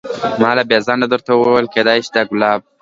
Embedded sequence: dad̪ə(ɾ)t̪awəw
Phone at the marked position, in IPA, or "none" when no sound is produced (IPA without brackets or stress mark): ɾ